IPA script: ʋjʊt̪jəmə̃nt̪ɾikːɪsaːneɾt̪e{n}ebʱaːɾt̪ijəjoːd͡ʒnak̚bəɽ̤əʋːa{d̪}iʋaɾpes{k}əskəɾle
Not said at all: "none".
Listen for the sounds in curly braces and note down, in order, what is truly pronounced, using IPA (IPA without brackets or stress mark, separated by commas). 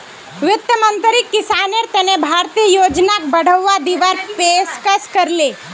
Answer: n, d̪, k